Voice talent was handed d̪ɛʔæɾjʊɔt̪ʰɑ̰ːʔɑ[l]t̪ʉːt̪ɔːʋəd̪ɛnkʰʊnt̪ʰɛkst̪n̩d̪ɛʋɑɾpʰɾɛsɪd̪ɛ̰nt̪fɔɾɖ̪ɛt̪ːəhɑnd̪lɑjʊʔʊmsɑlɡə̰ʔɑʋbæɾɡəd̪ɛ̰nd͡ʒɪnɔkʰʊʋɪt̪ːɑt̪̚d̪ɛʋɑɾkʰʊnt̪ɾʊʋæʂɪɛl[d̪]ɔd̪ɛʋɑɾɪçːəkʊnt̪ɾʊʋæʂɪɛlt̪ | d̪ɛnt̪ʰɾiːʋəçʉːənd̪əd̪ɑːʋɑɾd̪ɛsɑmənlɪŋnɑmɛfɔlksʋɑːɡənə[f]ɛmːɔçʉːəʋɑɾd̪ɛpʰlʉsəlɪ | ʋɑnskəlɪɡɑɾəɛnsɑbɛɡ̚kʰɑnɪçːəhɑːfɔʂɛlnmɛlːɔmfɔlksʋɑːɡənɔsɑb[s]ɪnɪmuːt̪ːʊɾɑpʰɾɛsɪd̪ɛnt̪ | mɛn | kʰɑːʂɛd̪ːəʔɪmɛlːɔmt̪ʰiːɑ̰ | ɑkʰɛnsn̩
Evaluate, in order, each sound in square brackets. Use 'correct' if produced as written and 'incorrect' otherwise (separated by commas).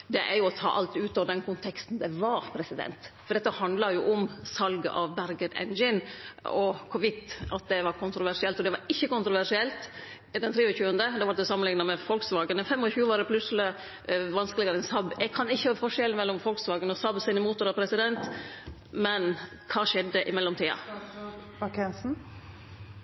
correct, incorrect, correct, correct